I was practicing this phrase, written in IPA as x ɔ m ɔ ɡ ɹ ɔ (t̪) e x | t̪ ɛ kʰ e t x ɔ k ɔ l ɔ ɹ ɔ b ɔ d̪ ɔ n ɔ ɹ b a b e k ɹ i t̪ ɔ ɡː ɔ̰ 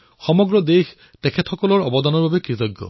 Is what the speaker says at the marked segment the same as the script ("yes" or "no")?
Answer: no